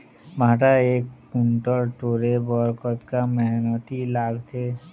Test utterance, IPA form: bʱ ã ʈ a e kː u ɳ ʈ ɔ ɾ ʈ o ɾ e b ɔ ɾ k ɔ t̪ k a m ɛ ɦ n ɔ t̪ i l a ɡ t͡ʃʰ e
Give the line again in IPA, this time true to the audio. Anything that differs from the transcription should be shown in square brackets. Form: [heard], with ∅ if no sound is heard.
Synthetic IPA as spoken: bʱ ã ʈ a e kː u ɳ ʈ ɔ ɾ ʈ o ɾ e b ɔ ɾ k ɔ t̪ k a m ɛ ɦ n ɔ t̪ i l a ɡ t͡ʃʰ e